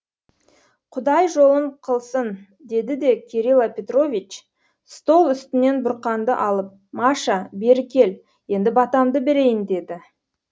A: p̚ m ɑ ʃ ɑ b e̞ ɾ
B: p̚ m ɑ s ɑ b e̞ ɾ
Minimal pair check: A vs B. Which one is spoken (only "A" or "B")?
A